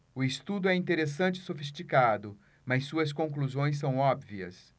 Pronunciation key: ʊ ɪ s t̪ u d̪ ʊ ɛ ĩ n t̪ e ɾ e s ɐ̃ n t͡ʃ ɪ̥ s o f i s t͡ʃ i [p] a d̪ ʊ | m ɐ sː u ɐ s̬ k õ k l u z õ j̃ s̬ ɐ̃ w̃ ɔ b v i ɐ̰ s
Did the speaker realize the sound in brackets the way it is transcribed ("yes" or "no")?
no